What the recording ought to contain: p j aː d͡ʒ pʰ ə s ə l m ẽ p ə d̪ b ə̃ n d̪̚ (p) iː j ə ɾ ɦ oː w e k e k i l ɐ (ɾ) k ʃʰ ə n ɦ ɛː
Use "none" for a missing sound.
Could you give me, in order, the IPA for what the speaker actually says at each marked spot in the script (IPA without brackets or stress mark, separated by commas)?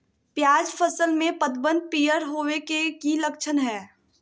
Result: p, none